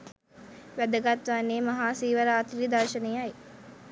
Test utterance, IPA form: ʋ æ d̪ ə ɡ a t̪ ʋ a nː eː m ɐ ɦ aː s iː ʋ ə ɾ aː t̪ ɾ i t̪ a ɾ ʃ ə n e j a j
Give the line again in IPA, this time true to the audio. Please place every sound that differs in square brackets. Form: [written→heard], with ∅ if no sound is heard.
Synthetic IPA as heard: ʋ æ d̪ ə ɡ a t̪ ʋ a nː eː m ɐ ɦ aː s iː ʋ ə ɾ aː t̪ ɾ i [t̪→d̪] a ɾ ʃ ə n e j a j